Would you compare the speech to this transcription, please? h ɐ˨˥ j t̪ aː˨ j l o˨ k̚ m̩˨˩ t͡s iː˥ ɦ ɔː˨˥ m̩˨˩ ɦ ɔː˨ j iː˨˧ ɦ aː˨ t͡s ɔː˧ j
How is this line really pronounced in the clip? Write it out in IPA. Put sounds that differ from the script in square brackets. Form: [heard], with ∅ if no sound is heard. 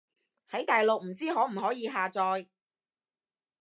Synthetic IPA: h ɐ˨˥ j t̪ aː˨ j l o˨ k̚ m̩˨˩ t͡s iː˥ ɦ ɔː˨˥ m̩˨˩ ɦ [ɔː˨˥] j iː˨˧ ɦ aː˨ t͡s ɔː˧ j